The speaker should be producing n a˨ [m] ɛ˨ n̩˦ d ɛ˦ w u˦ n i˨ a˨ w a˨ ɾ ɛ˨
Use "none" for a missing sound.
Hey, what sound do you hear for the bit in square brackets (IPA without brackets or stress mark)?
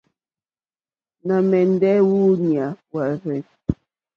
m